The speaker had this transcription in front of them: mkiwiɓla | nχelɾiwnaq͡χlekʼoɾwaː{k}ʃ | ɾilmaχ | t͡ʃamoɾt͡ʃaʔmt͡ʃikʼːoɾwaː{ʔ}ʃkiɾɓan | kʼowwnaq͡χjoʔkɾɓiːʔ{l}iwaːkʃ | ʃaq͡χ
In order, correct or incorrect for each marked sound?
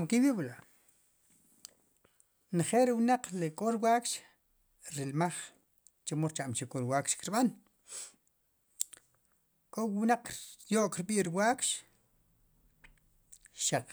correct, incorrect: k, incorrect: ɾ

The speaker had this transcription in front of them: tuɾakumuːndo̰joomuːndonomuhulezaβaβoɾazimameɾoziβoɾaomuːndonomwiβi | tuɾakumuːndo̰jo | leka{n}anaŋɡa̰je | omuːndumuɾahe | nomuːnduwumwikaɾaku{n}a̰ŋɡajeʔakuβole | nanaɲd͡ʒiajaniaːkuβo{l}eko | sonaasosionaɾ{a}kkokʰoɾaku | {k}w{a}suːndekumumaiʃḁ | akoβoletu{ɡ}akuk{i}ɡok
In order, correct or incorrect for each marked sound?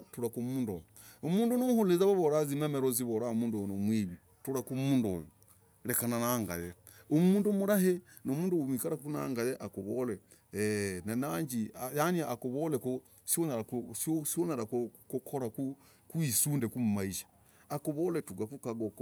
correct, correct, correct, correct, correct, incorrect: i, correct, incorrect: a

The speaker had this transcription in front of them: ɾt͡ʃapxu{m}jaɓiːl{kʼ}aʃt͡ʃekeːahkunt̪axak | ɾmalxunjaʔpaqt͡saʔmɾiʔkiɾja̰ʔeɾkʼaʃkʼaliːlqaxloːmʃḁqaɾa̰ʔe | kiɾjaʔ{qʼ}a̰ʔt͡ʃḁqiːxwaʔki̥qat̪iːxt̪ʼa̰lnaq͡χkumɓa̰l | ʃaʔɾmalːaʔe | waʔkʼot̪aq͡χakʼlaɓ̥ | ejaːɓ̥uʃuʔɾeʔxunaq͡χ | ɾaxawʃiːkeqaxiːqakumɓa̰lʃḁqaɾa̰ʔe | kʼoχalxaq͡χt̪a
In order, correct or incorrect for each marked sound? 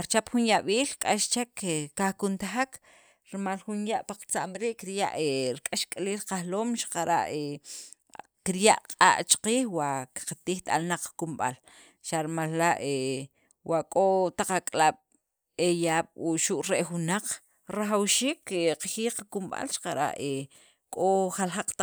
incorrect: n, correct, correct

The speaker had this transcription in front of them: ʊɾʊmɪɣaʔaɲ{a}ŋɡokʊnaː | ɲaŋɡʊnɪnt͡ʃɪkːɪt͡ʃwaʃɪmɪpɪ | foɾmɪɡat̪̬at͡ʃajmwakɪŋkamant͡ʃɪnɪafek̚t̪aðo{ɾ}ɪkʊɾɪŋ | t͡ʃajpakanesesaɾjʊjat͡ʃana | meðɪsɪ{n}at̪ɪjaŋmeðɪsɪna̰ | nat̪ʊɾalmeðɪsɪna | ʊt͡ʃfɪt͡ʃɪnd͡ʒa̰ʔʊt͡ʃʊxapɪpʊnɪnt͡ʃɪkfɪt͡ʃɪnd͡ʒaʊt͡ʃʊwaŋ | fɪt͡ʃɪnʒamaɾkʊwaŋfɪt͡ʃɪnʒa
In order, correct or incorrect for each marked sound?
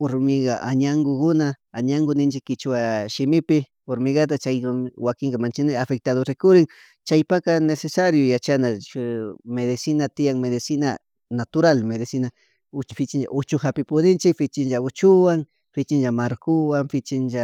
correct, correct, correct

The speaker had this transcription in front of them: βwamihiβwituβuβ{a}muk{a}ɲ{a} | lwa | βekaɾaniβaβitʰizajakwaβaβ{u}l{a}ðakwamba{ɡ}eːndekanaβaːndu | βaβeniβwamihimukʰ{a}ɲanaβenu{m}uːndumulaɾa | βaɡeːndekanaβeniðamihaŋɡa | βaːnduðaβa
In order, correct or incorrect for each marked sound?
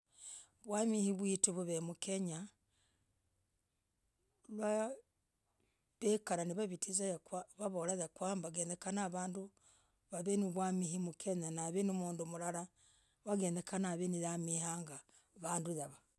incorrect: e, incorrect: e, correct, incorrect: o, correct, correct, incorrect: e, correct

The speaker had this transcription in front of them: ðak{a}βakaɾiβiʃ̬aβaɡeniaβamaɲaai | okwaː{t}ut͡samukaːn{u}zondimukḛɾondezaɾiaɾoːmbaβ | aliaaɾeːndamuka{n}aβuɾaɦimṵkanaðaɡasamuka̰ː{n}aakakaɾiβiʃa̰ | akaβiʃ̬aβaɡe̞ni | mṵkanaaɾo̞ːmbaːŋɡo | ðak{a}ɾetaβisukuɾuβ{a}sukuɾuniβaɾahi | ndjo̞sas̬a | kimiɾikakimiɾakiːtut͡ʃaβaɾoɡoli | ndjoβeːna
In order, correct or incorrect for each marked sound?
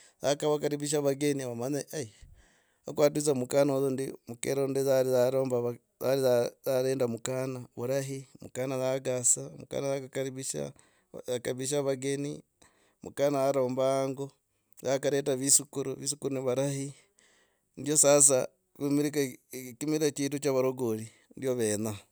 correct, correct, incorrect: o, correct, correct, correct, incorrect: i

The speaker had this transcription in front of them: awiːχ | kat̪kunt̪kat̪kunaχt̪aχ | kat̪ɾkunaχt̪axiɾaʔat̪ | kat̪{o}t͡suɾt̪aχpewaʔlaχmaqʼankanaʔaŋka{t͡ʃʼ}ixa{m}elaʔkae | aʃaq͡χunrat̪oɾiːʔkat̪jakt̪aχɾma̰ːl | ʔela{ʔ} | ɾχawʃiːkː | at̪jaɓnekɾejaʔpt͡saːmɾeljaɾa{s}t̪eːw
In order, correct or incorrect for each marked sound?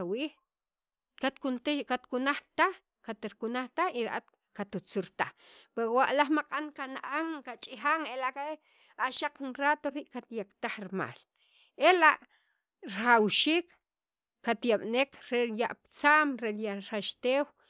incorrect: u, correct, incorrect: ŋ, correct, incorrect: ʃ

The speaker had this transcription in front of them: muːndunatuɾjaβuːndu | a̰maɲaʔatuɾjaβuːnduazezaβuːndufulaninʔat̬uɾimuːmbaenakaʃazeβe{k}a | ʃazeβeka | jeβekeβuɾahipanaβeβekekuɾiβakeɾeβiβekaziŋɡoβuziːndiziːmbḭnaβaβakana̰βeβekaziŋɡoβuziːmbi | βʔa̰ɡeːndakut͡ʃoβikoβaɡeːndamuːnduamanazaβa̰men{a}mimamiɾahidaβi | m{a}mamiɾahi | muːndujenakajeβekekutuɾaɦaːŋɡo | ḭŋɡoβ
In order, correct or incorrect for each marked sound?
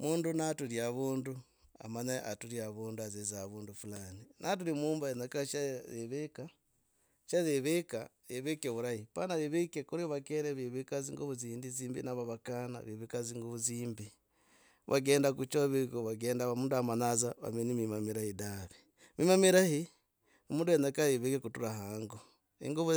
correct, incorrect: i, incorrect: i

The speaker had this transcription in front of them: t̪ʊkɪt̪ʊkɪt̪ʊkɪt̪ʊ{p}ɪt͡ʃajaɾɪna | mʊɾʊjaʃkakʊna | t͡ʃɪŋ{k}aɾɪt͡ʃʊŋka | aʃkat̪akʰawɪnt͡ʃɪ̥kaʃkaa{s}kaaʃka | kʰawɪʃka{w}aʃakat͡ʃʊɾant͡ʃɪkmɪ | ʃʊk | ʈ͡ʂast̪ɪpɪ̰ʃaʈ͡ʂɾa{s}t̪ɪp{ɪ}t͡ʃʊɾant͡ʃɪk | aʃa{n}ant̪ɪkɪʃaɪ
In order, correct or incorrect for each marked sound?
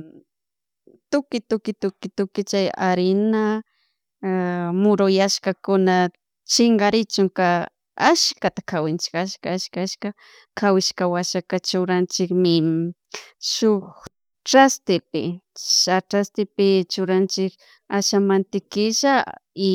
incorrect: k, incorrect: ɡ, incorrect: ʃ, correct, correct, correct, incorrect: m

